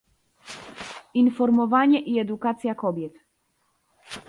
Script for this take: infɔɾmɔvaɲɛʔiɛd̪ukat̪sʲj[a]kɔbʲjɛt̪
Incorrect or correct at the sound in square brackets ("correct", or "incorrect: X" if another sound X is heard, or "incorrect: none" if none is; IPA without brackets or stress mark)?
correct